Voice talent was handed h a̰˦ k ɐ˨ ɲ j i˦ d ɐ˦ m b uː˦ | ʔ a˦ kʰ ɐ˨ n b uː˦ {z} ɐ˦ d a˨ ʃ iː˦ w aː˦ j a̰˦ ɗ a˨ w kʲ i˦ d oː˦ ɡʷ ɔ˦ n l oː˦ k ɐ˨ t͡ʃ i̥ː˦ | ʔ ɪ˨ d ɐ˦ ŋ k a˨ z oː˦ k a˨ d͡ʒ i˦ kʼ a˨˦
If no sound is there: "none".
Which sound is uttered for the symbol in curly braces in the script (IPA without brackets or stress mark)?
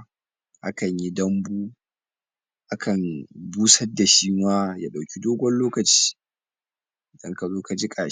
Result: s